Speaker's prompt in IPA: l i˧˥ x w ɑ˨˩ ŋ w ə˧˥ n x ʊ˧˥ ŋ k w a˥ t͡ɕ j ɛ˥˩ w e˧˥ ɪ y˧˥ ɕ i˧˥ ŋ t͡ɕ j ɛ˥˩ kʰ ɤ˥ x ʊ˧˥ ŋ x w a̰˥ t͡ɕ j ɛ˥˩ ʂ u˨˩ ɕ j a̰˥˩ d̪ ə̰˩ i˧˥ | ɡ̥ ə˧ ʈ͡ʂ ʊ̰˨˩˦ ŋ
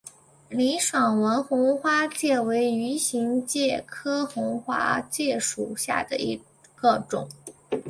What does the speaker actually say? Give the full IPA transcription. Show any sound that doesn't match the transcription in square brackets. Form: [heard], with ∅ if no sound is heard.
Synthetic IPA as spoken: l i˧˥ [ʂ] w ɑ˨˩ ŋ w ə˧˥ n x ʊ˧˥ ŋ [x] w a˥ t͡ɕ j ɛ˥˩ w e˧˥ ɪ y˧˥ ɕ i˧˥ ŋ t͡ɕ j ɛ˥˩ kʰ ɤ˥ x ʊ˧˥ ŋ x w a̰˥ t͡ɕ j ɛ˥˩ ʂ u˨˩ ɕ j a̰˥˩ d̪ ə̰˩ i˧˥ | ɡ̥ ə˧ ʈ͡ʂ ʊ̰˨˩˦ ŋ